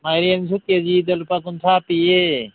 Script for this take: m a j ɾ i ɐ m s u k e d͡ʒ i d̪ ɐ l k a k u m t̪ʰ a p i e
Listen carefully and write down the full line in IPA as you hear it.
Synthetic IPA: m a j ɾ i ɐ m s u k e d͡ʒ i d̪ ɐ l p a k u n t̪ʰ a p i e